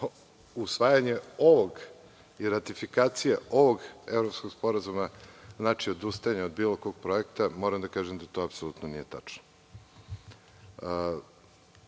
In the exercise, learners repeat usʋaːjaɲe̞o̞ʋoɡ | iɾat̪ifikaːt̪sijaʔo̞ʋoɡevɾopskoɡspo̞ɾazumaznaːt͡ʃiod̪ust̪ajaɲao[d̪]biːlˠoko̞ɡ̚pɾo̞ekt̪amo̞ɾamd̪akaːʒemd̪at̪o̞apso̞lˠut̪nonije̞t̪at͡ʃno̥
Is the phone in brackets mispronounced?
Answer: no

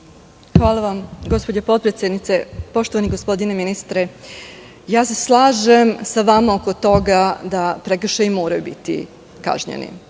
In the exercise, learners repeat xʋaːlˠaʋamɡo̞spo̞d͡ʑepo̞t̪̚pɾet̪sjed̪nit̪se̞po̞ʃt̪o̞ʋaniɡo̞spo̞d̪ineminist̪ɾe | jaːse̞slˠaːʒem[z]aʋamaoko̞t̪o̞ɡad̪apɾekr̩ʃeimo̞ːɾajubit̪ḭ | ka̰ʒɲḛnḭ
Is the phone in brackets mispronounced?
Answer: yes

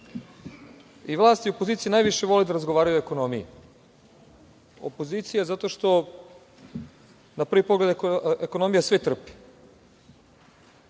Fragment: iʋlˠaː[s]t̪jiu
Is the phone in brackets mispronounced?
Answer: no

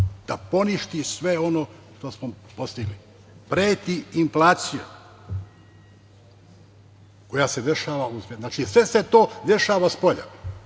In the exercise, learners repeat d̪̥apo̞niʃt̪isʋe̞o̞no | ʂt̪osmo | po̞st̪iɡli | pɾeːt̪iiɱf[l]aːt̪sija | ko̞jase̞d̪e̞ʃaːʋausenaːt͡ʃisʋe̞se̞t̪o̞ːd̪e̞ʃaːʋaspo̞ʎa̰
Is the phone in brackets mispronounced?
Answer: no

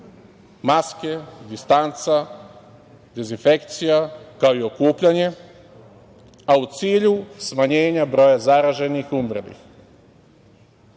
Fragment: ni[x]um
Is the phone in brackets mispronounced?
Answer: no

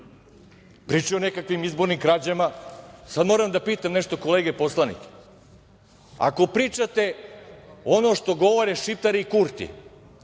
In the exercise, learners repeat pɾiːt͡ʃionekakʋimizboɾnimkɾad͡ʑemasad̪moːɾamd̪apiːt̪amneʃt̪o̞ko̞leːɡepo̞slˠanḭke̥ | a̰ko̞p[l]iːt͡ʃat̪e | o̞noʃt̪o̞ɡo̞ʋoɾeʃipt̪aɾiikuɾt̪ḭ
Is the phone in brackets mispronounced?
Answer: yes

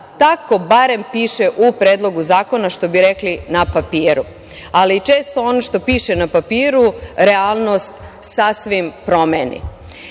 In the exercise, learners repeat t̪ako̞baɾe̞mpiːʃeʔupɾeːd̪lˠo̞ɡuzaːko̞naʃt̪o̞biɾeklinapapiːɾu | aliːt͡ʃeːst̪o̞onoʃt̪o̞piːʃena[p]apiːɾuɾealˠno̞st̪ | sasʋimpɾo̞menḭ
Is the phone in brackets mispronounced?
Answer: no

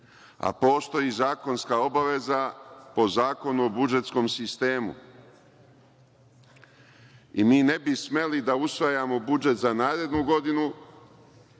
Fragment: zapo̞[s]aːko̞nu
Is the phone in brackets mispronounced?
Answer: yes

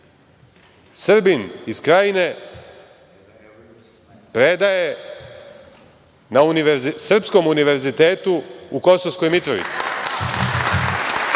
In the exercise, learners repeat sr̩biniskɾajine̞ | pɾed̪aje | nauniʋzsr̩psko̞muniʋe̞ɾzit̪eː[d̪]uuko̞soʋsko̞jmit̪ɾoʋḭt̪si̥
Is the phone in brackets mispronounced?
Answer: yes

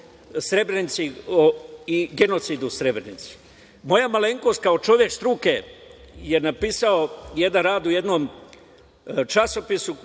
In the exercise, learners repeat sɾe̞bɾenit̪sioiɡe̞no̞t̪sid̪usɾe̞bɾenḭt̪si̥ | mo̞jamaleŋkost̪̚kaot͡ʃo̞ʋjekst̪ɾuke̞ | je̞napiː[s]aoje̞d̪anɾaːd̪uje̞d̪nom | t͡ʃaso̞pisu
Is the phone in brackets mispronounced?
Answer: no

